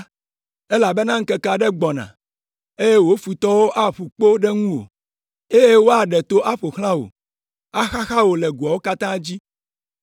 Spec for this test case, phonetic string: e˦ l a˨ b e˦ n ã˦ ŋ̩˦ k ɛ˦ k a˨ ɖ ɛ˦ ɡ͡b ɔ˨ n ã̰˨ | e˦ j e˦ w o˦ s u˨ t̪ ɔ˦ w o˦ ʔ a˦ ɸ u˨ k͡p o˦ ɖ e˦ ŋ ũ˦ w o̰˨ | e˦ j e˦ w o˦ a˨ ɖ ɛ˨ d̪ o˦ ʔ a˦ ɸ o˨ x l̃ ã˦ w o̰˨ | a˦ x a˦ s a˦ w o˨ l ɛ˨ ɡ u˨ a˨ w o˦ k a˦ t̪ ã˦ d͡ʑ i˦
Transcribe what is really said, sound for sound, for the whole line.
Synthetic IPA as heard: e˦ l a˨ b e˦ n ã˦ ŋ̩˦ k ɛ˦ k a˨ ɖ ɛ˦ ɡ͡b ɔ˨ n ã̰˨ | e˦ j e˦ w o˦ f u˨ t̪ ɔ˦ w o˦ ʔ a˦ ɸ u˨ k͡p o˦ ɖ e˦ ŋ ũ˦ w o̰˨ | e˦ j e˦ w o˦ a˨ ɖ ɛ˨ t̪ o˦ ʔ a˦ ɸ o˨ x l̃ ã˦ w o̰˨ | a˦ x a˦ x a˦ w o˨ l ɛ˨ ɡ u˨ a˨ w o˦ k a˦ t̪ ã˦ d͡ʑ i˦